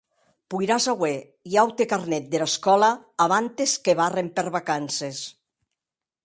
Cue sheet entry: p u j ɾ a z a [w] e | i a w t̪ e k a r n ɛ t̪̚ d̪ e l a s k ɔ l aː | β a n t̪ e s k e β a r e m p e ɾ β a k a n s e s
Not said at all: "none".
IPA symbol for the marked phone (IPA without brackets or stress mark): w